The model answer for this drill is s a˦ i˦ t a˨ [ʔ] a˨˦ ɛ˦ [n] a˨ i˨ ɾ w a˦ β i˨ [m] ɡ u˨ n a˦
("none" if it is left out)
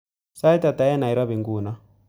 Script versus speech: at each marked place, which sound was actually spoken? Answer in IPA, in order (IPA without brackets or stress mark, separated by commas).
t, n, ŋ